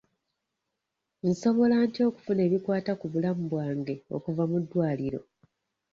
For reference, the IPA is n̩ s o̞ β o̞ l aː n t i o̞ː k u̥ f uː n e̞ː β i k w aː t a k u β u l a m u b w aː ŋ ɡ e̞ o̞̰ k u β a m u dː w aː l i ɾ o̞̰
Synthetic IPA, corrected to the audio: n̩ s o̞ β o̞ l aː n t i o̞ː k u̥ f u n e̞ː β i k w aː t a k u β u l a m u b w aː ŋ ɡ e̞ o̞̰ k u v a m u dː w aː l i ɾ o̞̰